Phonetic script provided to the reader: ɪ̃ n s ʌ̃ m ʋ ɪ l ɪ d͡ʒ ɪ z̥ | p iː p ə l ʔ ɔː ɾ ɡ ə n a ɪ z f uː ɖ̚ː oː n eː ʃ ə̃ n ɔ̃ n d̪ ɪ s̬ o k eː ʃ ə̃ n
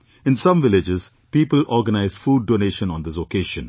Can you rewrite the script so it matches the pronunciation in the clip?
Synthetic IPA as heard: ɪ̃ n s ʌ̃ m ʋ ɪ l ɪ d͡ʒ ɪ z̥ | p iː p ə l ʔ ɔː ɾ ɡ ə n a ɪ z f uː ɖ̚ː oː n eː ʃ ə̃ n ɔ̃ n d̪ ɪ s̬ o k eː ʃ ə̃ n